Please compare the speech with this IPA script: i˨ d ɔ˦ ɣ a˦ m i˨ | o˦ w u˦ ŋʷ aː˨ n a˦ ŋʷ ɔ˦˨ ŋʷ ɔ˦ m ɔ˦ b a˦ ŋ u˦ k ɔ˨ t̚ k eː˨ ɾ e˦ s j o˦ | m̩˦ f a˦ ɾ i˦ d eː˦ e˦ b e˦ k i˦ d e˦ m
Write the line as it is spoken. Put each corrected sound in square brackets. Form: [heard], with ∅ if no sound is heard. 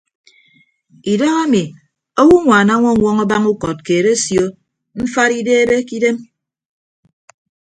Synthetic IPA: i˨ d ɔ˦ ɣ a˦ m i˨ | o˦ w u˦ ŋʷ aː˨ n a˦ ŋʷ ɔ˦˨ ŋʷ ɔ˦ [ŋ] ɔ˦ b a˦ ŋ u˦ k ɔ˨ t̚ k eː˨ ɾ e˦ s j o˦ | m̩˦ f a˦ ɾ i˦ d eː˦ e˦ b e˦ k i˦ d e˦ m